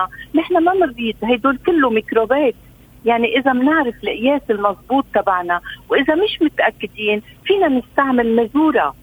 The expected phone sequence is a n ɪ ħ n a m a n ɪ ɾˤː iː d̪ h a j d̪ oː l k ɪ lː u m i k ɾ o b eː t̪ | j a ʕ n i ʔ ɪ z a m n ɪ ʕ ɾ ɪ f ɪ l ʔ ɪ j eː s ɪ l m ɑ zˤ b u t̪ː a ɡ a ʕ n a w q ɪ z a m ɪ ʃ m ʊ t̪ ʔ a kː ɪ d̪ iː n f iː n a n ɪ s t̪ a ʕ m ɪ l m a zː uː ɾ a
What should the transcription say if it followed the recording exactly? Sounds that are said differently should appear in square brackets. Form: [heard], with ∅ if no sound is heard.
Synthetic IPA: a n ɪ ħ n a m a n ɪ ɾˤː iː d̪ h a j d̪ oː l k ɪ lː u m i k ɾ o b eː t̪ | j a ʕ n i ʔ ɪ z a m n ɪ ʕ ɾ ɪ f ɪ l ʔ ɪ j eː s ɪ l m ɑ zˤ b [uː] t̪ː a [b] a ʕ n a w [ʔ] ɪ z a m ɪ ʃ m ʊ t̪ ʔ a kː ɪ d̪ iː n f iː n a n ɪ s t̪ a ʕ m ɪ l m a [z] uː ɾ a